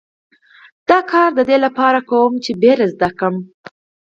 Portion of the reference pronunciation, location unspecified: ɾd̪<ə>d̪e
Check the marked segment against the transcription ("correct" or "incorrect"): correct